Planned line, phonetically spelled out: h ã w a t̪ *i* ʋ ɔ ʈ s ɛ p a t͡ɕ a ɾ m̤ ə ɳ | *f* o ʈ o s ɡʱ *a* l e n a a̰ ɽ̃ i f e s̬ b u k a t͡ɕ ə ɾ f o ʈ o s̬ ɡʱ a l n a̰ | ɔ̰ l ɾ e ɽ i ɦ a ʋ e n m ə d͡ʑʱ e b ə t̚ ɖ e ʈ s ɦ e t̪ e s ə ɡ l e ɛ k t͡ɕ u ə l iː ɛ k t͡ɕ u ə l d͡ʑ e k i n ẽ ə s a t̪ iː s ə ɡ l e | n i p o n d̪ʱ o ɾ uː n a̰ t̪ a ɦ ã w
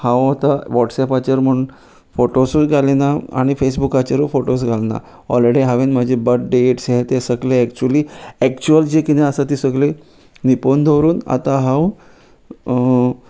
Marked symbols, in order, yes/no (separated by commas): no, yes, yes